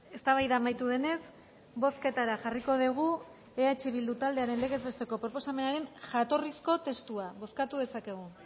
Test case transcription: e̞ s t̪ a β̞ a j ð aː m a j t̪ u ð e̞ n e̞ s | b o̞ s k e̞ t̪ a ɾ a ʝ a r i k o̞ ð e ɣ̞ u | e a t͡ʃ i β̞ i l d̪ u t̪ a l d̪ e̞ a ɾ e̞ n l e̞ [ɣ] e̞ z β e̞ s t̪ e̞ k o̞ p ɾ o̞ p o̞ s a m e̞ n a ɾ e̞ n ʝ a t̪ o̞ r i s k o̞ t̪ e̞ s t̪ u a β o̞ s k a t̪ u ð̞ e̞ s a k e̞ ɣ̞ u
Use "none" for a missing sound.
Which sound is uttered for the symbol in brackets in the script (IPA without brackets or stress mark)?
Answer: ɣ